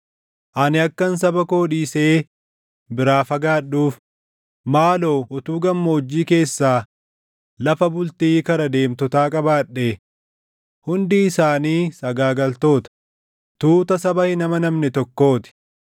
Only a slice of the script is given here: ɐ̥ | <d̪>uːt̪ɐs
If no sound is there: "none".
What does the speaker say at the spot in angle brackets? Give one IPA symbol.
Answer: t̪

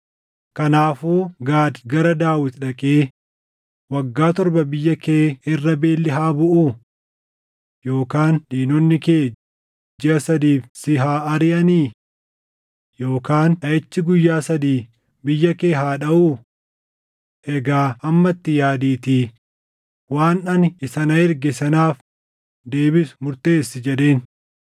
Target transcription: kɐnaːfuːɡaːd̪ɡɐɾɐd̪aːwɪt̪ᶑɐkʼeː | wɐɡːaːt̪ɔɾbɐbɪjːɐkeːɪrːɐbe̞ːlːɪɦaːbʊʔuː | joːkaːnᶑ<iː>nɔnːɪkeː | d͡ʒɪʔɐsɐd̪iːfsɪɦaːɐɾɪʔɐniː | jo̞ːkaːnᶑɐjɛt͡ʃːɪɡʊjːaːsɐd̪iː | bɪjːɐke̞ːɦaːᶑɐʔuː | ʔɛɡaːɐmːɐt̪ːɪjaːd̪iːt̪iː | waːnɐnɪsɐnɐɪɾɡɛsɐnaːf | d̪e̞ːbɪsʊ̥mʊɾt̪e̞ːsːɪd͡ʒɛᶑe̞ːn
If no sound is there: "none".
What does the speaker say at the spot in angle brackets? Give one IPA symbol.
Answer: iː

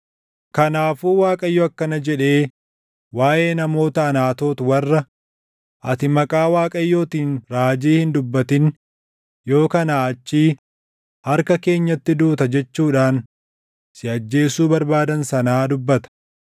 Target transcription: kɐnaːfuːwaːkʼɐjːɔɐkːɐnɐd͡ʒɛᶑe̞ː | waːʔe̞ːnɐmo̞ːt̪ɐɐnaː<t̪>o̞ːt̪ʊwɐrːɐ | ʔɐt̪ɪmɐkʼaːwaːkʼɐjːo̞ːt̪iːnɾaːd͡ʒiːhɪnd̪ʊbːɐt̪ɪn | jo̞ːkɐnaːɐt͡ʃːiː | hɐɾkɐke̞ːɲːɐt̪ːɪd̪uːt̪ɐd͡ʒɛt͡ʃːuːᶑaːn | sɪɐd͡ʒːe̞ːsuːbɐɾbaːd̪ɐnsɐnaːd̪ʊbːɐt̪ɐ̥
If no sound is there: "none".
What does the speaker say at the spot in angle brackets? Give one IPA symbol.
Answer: t̪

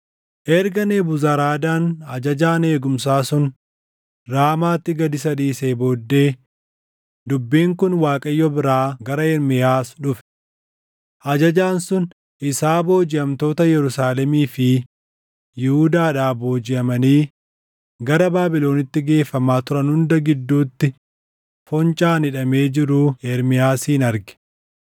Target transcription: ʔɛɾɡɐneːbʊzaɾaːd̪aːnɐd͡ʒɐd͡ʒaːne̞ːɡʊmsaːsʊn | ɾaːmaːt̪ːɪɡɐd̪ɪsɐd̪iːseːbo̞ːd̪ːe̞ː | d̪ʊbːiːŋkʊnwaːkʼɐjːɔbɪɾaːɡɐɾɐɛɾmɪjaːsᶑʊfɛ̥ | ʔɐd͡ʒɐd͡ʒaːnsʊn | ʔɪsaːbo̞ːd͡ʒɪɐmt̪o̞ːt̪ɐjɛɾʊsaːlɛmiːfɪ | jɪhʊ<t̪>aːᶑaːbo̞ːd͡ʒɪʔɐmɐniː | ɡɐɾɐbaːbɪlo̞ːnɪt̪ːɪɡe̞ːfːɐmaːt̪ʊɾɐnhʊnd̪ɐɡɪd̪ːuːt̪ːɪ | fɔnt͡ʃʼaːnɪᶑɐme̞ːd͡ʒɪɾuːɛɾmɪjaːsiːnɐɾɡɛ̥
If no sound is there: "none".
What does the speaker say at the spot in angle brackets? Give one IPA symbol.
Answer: d̪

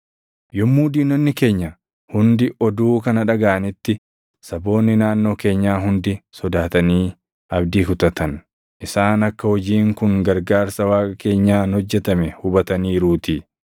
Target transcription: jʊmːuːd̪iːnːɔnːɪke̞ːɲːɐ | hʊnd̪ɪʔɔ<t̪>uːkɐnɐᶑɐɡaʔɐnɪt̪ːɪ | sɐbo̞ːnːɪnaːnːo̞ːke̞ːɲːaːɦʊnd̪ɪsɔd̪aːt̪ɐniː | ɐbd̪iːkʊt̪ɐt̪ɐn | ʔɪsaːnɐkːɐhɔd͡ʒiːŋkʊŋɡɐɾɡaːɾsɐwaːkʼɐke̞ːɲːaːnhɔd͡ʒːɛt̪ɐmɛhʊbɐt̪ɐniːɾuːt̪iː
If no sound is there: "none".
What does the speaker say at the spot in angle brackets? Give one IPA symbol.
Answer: d̪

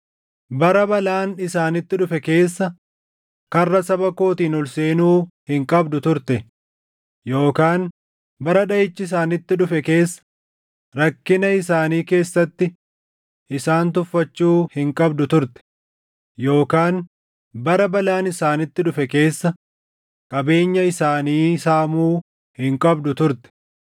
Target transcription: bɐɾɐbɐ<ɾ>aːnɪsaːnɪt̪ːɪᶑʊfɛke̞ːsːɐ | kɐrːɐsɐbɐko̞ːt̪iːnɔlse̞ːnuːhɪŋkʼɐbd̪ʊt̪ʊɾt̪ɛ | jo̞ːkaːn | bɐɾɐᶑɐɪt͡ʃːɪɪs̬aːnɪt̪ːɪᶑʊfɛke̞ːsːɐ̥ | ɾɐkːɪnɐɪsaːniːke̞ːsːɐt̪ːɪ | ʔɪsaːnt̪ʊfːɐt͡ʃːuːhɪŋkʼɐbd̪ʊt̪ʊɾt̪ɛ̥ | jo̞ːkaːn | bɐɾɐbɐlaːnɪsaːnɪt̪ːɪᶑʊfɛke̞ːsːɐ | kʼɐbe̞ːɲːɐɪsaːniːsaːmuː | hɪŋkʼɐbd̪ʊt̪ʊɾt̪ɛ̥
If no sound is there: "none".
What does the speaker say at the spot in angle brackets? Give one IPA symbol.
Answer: l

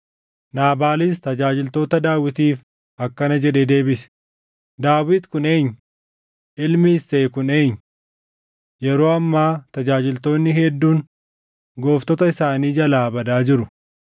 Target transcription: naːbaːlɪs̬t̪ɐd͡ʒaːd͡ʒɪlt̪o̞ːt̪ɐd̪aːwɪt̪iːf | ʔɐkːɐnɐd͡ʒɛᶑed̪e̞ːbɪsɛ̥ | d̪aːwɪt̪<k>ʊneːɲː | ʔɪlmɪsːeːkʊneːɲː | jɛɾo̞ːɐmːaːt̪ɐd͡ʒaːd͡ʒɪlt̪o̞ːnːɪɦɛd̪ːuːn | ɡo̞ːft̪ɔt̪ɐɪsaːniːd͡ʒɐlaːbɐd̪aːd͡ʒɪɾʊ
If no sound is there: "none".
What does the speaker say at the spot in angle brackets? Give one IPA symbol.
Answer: k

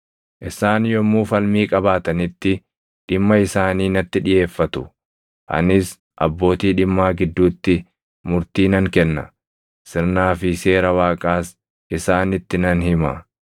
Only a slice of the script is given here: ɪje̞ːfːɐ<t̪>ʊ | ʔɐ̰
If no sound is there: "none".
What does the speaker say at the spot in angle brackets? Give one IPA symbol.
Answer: t̪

